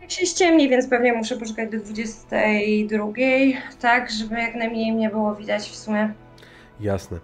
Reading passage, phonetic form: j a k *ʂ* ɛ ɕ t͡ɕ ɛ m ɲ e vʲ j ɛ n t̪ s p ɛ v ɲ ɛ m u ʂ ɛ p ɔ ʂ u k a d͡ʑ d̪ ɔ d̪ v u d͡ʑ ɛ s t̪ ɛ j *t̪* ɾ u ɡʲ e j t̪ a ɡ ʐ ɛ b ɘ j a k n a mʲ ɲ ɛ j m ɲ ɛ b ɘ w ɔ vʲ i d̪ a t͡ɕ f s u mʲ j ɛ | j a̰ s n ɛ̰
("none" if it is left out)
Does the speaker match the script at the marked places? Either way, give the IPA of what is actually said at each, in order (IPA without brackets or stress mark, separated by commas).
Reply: ɕ, d̪